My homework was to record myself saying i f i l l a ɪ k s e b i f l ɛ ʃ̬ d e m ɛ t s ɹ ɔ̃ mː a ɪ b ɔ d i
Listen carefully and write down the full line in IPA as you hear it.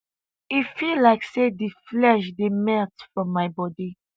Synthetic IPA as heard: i f i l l a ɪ k s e d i f l ɛ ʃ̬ d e m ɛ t f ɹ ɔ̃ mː a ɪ b ɔ d i

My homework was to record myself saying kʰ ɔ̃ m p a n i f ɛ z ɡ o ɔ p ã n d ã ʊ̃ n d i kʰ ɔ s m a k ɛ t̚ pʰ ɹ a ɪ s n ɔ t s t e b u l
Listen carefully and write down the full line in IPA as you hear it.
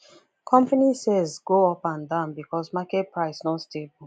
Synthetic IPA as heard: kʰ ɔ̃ m p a n i s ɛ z ɡ o ɔ p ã n d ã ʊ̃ n b i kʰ ɔ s m a k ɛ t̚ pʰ ɹ a ɪ s n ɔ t s t e b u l

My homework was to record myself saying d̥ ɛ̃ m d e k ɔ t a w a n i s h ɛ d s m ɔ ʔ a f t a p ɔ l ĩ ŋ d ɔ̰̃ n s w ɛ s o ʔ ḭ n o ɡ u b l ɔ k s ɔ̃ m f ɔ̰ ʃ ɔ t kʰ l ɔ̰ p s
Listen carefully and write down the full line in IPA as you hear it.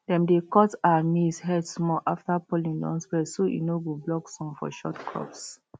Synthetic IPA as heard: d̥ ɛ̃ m d e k ɔ t a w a n i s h ɛ d s m ɔ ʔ a f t a p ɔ l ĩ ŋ d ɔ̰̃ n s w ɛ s o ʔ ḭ n o ɡ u b l ɔ k s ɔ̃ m f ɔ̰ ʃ ɔ t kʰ ɹ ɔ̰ p s

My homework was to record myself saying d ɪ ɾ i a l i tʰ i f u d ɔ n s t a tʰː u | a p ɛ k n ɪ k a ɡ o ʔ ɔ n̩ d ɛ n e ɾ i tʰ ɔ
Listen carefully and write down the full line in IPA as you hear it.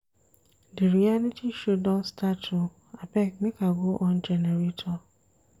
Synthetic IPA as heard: d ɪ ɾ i a l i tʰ i ʃ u d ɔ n s t a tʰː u | a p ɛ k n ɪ k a ɡ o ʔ ɔ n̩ d͡ʒ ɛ n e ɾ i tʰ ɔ

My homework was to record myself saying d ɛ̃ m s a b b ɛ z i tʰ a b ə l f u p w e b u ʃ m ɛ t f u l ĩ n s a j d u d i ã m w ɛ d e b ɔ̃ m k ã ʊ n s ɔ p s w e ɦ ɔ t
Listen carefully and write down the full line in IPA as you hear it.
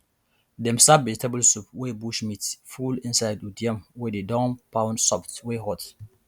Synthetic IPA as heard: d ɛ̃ m s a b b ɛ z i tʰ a b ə l s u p w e b u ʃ m i t f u l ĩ n s a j d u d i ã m w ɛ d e d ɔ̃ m p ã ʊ n s ɔ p t w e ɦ ɔ t

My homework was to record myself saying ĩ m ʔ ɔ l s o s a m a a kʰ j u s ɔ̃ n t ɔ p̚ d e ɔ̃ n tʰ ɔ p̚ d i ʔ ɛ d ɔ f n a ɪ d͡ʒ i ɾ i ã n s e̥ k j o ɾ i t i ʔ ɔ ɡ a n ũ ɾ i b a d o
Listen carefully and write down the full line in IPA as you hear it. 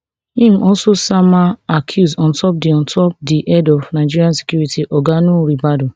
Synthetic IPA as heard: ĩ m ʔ ɔ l s o s a m a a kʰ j u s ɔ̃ n t ɔ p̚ d e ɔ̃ n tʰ ɔ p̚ d i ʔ ɛ d ɔ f n a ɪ d͡ʒ i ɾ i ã n s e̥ k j u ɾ i t i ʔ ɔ ɡ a n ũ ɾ i b a d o

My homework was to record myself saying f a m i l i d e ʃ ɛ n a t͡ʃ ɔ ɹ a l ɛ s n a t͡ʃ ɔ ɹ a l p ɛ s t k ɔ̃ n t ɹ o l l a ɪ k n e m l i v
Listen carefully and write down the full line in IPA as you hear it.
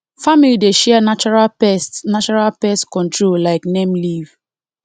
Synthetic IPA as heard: f a m i l i d e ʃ ɛ n a t͡ʃ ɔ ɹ a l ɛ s n a t͡ʃ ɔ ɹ a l p ɛ s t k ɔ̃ n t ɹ o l l a ɪ k n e m l i v

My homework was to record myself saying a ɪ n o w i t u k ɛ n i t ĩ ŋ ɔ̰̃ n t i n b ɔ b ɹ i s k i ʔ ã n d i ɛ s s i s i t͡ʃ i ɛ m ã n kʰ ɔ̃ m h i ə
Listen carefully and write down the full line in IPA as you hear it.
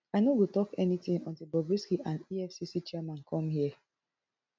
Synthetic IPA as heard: a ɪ n o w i t ɔ k ɛ n i t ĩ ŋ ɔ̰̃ n t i b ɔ b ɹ i s k i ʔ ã n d i ɛ f s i s i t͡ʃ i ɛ m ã n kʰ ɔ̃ m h i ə

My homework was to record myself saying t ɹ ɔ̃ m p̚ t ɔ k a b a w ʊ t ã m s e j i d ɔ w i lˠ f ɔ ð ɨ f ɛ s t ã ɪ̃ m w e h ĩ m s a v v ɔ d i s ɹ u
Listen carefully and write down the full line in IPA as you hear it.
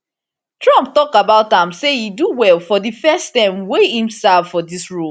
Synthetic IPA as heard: t ɹ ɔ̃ m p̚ t ɔ k a b a ʊ t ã m s e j i d u w ɛ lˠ f ɔ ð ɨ f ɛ s t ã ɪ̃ m w e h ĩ m s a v f ɔ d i s ɹ u

